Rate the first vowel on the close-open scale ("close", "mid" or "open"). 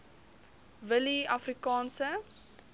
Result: mid